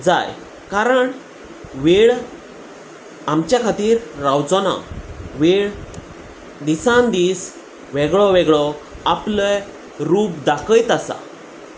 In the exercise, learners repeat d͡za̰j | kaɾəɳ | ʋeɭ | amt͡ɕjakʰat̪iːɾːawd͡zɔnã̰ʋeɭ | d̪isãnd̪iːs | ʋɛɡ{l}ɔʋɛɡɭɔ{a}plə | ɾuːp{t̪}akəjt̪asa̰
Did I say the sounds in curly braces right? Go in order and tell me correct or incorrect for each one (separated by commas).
incorrect, correct, incorrect